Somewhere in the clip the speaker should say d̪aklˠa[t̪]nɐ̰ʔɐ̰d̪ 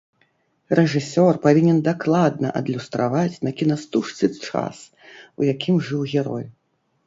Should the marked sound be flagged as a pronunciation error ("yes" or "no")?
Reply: yes